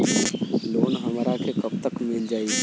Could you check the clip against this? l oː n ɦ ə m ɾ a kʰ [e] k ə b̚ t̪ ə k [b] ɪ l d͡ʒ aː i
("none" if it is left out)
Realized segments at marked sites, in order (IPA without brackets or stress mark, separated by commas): e, m